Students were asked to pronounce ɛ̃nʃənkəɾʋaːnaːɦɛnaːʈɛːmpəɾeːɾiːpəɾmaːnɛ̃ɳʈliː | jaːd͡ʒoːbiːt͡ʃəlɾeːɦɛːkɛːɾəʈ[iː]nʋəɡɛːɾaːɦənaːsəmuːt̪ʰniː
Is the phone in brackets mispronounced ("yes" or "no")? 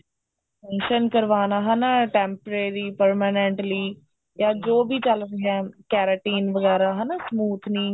no